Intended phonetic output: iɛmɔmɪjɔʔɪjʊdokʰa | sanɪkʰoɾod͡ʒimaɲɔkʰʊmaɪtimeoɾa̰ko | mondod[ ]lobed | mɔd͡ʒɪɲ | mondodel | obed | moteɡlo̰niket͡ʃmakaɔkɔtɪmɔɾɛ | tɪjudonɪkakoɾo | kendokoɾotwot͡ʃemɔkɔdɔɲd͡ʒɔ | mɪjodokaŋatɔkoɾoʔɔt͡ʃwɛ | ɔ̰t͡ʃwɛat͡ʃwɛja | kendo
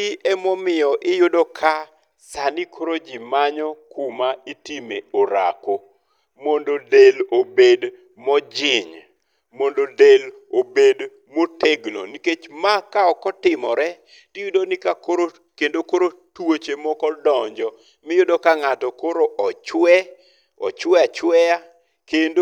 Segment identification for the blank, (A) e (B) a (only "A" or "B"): A